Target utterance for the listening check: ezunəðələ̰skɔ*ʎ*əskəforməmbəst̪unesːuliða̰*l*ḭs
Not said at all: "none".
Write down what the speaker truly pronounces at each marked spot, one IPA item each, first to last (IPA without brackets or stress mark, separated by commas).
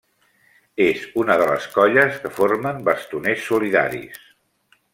ʎ, ɾ